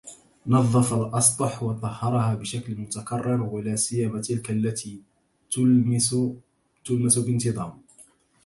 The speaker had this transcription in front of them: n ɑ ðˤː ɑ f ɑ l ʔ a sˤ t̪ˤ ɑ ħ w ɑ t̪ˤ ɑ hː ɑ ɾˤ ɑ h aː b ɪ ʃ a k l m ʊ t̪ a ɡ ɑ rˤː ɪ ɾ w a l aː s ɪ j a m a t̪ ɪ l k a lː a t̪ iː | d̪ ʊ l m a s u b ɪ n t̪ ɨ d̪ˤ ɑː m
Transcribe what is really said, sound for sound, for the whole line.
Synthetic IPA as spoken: n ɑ ðˤː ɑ f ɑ l ʔ ɑ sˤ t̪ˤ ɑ ħ w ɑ t̪ˤ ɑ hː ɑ ɾˤ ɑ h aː b ɪ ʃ a k l m ʊ t̪ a k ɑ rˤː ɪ ɾ w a l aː s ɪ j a m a t̪ ɪ l k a lː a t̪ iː | t̪ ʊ l m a s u b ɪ n t̪ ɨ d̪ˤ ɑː m